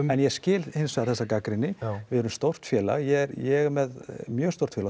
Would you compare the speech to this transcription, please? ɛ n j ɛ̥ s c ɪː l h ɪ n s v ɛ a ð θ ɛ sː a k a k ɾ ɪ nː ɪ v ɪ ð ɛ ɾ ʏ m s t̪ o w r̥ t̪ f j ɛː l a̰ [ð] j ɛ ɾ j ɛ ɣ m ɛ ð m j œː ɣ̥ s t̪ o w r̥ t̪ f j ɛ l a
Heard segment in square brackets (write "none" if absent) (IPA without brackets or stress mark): ɣ